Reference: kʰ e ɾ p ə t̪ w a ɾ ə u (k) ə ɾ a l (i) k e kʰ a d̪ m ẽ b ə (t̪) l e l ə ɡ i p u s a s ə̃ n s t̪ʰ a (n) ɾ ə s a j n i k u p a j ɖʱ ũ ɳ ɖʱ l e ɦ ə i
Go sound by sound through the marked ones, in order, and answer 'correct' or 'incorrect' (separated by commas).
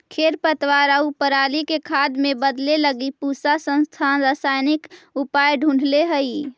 incorrect, correct, incorrect, correct